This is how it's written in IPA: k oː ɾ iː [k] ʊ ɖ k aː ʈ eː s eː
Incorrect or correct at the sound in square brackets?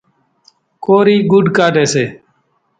incorrect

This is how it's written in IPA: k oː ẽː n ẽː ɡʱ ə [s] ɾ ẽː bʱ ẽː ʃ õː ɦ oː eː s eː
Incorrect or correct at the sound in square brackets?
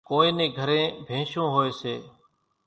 incorrect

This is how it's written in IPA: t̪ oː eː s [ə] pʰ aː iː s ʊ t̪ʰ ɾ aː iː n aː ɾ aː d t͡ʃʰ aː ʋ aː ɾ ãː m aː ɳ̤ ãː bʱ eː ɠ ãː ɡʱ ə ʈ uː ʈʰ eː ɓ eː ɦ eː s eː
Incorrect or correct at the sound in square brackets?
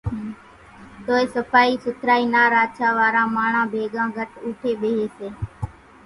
correct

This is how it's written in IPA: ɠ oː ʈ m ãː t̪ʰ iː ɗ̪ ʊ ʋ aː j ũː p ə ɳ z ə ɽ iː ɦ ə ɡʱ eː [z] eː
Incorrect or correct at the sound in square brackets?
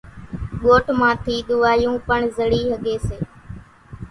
incorrect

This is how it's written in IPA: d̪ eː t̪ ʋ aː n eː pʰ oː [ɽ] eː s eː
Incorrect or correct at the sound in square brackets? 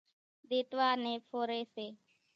incorrect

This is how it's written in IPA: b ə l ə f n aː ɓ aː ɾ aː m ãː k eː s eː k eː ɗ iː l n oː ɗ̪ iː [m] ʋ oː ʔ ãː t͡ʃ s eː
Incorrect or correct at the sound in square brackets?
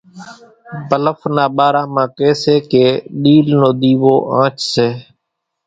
incorrect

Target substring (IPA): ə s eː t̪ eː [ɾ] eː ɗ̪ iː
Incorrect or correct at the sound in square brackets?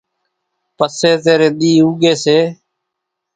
correct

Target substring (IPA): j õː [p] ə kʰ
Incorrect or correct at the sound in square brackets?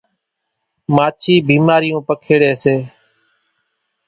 correct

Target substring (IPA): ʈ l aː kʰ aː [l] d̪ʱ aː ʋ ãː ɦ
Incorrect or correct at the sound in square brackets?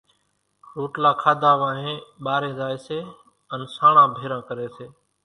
incorrect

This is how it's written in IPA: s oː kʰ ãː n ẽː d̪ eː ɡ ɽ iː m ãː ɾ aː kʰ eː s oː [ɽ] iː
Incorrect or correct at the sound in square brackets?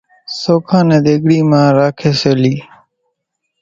incorrect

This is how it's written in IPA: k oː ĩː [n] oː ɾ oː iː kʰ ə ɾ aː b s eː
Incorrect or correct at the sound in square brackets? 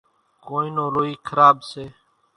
correct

